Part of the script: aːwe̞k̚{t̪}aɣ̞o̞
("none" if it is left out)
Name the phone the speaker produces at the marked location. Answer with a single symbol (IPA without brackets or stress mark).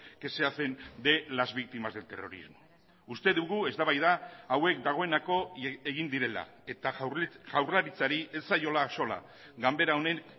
d̪